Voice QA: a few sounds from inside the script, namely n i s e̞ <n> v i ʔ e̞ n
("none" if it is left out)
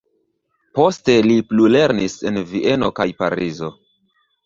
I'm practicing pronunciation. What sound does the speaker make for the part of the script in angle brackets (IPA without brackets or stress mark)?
n